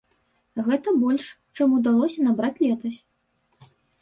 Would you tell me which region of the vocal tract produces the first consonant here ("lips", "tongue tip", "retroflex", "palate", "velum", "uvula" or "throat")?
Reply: velum